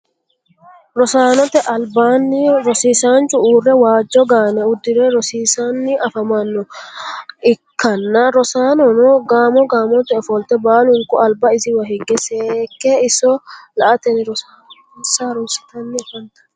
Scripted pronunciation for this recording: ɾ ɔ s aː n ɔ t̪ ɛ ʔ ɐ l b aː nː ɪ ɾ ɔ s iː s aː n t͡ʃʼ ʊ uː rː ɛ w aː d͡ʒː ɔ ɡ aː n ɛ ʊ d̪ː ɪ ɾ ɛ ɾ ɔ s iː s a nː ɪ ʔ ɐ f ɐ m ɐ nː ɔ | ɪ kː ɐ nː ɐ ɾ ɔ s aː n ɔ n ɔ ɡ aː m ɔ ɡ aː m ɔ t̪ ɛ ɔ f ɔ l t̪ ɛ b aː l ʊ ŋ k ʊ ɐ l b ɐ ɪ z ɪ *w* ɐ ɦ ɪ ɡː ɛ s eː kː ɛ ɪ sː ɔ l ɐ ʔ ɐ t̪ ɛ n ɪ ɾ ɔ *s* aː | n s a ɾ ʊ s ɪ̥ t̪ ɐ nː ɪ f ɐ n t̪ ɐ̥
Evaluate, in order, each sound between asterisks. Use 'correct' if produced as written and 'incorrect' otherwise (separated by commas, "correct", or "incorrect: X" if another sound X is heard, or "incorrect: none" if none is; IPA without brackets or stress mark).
correct, correct